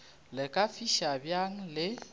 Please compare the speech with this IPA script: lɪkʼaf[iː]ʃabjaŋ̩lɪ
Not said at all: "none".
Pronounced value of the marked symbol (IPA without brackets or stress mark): i